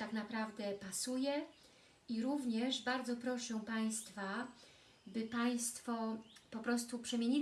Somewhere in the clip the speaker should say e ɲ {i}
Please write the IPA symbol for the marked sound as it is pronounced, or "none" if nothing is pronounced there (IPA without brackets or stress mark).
i